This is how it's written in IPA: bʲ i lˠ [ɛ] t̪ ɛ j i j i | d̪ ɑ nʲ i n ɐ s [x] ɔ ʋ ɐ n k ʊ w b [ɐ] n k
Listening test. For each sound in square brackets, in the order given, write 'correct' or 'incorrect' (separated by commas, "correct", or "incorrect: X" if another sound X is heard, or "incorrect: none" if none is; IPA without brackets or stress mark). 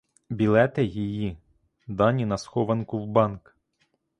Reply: correct, correct, incorrect: ɑ